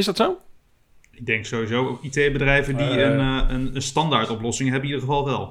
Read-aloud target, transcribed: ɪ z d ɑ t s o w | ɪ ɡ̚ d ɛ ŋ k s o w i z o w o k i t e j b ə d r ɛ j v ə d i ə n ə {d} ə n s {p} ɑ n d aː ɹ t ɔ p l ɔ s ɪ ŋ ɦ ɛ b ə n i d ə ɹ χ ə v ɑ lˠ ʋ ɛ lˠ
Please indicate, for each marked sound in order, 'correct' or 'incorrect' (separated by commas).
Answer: incorrect, incorrect